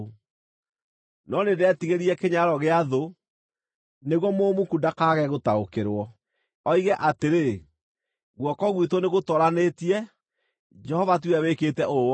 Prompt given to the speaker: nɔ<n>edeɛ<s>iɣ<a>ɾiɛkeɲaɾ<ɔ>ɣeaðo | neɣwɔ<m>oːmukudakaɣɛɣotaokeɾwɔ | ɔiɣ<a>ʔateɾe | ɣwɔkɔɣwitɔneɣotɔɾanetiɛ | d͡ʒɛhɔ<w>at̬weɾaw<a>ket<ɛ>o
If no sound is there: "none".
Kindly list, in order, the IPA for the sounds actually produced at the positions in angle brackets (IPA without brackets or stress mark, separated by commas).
n, t, e, ɔ, m, ɛ, v, e, ɛ